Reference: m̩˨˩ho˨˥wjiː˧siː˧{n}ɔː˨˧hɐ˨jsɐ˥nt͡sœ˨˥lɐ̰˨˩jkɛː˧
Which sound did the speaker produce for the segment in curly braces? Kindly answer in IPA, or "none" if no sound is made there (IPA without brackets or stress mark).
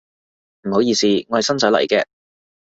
ŋ